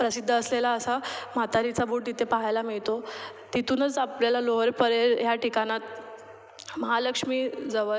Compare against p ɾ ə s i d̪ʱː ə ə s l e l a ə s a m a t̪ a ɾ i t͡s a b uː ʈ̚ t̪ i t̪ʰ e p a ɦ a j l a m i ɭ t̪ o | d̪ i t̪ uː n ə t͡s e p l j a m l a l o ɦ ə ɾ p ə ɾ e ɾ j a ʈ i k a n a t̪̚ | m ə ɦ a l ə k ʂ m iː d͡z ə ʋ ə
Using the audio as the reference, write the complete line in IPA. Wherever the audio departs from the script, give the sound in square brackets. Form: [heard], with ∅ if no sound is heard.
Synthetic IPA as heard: p ɾ ə s i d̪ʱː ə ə s l e l a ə s a m a t̪ a ɾ i t͡s a b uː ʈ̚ t̪ i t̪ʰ e p a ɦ a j l a m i ɭ t̪ o | [t̪] i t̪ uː n ə t͡s [a] p l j a [∅] l a l o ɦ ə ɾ p ə ɾ e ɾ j a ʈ i k a n a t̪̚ | m ə ɦ a l ə k ʂ m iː d͡z ə ʋ ə

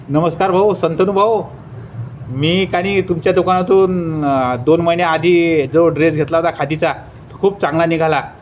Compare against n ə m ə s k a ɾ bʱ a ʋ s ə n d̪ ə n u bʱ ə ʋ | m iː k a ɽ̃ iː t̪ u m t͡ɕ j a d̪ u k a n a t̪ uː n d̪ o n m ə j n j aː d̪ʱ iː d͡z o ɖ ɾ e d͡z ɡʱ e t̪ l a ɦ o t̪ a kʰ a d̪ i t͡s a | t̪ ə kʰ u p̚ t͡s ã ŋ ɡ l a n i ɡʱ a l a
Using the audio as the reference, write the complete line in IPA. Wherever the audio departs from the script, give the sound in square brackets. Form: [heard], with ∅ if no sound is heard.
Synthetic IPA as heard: n ə m ə s k a ɾ bʱ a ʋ s ə n [t̪] ə n u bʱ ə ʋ | m iː k a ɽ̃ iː t̪ u m t͡ɕ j a d̪ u k a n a t̪ uː n d̪ o n m ə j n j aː d̪ʱ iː d͡z o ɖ ɾ e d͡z ɡʱ e t̪ l a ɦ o t̪ a kʰ a d̪ i t͡s a | t̪ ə kʰ [uː] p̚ t͡s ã ŋ ɡ l a n i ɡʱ a l a

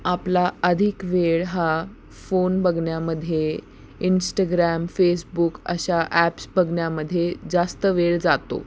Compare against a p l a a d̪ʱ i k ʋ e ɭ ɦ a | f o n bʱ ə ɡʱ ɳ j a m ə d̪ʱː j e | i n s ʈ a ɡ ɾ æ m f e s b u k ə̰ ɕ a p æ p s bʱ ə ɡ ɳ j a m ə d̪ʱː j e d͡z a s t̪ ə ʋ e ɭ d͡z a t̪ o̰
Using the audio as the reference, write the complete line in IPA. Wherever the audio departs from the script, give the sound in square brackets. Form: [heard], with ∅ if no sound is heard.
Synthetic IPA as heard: a p l a [ə] d̪ʱ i k ʋ e ɭ ɦ a | f o n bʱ ə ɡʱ ɳ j a m ə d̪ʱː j e | i n s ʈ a ɡ ɾ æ m f e s b u k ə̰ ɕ a [ʔ] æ p s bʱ ə ɡ ɳ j a m ə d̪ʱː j e d͡z a s t̪ ə ʋ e ɭ d͡z a t̪ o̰

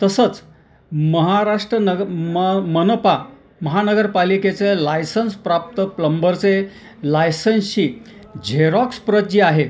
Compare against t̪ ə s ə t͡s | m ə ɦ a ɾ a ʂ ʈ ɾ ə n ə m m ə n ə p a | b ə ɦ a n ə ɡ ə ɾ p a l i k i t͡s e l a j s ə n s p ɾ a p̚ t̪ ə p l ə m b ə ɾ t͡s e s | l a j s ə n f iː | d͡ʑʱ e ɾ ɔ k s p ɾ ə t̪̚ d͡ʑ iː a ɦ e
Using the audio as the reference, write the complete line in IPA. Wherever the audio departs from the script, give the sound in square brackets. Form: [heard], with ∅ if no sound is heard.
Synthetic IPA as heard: t̪ ə s ə t͡s | m ə ɦ a ɾ a ʂ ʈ ɾ ə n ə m m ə n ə p a | [m] ə ɦ a n ə ɡ ə ɾ p a l i k [e] t͡s e l a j s ə n s p ɾ a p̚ t̪ ə p l ə m b ə ɾ t͡s e [∅] | l a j s ə n [ɕ] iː | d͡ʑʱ e ɾ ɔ k s p ɾ ə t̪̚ d͡ʑ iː a ɦ e

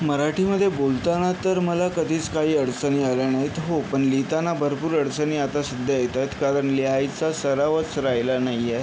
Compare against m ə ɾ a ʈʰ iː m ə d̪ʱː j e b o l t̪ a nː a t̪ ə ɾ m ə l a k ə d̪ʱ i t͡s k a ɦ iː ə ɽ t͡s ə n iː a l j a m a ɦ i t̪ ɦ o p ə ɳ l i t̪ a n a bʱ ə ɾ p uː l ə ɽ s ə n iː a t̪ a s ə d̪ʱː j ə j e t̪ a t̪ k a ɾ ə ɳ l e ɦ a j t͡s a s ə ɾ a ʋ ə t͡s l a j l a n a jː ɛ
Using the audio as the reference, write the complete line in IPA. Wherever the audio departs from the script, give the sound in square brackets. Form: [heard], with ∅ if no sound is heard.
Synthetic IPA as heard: m ə ɾ a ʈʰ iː m ə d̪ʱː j e b o l t̪ a [n] a t̪ ə ɾ m ə l a k ə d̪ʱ [iː] t͡s k a ɦ iː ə ɽ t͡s ə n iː a l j a [n] a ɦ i t̪ ɦ o p ə ɳ l i t̪ a n a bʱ ə ɾ p uː [ɾ] ə ɽ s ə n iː a t̪ a s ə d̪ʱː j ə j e t̪ a t̪ k a ɾ ə ɳ l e ɦ a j t͡s a s ə ɾ a ʋ ə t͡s [ɾ] a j l a n a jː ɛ

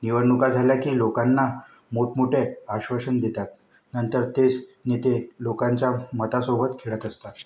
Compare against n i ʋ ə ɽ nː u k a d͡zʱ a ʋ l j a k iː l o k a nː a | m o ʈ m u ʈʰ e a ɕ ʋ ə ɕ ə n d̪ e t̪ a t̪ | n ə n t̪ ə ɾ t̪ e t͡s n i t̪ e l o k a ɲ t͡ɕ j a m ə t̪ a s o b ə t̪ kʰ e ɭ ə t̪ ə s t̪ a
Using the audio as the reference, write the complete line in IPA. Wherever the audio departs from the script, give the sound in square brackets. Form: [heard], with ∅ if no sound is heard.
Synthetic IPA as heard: n i ʋ ə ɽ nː u k a d͡zʱ a [∅] l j a k iː l o k a nː a | m o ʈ m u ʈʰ e a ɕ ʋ ə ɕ ə n d̪ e t̪ a t̪ | n ə n t̪ ə ɾ t̪ e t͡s n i t̪ e l o k a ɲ t͡ɕ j a m ə t̪ a s o b ə t̪ kʰ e ɭ ə t̪ ə s t̪ a

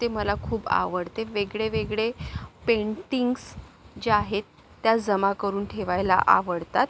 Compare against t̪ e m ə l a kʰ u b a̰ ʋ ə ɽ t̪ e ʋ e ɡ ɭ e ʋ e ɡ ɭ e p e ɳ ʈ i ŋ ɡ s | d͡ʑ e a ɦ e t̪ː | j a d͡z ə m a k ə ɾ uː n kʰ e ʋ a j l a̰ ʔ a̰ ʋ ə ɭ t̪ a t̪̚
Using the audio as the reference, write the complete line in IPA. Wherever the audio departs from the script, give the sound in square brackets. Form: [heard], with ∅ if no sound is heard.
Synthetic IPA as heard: t̪ e m ə l a kʰ [uː] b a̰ ʋ ə ɽ t̪ e ʋ e ɡ ɭ e ʋ e ɡ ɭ e p e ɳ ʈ i ŋ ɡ s | d͡ʑ e a ɦ e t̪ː | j a d͡z ə m a k ə ɾ uː n [ʈʰ] e ʋ a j l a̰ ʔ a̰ ʋ ə [ɽ] t̪ a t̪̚

